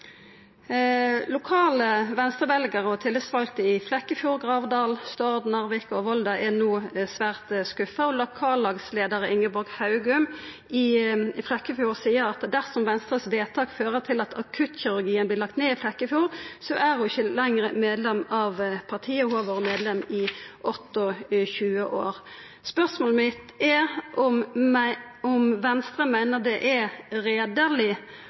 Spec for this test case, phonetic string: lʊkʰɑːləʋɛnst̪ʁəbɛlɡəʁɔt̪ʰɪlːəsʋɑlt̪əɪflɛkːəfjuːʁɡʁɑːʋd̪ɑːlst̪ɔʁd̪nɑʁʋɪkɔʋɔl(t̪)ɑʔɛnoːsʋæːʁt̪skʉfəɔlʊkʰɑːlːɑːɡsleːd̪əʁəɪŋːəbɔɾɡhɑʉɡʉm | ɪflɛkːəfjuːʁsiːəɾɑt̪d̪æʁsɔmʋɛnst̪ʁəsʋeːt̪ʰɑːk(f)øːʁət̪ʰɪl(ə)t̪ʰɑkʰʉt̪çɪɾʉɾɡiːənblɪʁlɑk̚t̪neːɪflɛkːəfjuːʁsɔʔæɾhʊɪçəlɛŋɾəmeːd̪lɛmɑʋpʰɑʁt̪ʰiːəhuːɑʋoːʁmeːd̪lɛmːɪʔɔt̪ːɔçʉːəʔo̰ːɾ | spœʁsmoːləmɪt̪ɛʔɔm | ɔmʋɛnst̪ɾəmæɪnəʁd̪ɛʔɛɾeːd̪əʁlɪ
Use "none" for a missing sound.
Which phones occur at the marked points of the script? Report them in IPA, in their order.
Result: d̪, f, ɑ

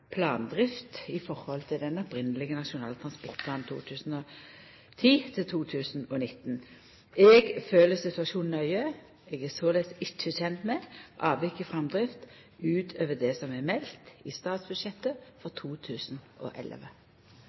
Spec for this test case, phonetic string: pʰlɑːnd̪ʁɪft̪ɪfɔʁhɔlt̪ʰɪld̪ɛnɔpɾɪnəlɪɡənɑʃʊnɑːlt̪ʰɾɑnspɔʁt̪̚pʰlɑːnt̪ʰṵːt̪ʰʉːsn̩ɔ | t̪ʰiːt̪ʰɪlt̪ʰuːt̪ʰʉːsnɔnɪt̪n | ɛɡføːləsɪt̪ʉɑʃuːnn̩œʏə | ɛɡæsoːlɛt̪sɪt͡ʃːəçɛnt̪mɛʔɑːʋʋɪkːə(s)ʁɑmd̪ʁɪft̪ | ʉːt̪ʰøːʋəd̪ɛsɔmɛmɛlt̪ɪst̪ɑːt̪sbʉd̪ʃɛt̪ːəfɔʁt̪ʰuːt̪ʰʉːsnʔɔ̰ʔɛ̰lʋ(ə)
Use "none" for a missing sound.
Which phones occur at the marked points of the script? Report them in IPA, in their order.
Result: f, ə

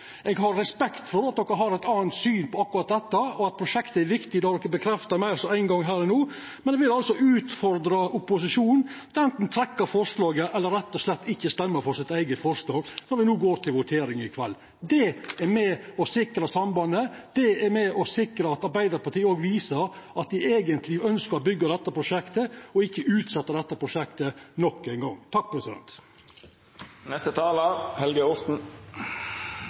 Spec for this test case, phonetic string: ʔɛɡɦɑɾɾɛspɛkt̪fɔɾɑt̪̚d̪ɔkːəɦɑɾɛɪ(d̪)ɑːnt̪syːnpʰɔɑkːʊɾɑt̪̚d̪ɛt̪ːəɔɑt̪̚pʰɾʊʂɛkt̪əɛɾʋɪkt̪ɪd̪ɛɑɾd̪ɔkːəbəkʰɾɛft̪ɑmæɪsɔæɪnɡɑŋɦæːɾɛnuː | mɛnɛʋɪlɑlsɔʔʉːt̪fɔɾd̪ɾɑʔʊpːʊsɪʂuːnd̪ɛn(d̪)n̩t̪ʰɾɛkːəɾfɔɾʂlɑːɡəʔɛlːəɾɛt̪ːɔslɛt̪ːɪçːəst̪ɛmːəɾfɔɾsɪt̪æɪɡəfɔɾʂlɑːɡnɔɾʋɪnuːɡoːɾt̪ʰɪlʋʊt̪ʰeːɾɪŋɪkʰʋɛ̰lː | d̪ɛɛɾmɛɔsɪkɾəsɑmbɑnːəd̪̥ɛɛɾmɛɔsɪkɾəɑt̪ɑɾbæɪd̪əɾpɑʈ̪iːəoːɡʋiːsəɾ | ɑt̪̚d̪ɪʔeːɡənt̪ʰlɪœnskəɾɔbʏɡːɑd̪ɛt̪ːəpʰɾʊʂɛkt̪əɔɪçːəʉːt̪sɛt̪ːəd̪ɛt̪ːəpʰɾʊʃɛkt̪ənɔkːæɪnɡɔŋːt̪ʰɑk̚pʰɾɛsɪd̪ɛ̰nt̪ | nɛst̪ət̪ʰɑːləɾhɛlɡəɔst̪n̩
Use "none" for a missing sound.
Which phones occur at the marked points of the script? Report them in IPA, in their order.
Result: t̪, t̪

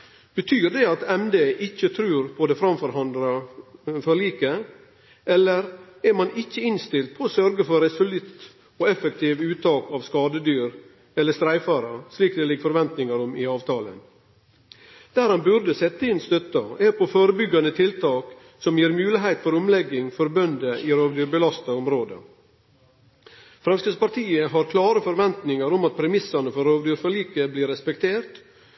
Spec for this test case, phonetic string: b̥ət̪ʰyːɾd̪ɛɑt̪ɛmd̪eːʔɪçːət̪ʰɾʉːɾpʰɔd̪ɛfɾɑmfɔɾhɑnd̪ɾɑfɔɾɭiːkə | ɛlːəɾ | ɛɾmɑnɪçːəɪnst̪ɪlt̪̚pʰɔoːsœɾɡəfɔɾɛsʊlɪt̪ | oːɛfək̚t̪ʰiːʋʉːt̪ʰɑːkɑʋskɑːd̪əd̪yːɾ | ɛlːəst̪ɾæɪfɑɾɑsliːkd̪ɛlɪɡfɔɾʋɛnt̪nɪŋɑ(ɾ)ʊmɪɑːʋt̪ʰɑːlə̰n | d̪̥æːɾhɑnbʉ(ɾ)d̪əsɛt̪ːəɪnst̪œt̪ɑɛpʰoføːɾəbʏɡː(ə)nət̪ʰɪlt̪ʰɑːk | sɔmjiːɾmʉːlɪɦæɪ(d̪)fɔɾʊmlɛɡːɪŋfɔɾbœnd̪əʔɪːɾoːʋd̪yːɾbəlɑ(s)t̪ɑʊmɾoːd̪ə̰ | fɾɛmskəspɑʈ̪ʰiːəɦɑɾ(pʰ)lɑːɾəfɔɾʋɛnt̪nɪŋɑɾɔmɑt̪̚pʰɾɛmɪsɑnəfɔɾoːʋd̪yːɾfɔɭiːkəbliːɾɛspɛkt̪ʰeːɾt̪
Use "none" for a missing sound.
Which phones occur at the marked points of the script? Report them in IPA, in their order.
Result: ɾ, ɾ, ɑ, t̪, s, kʰ

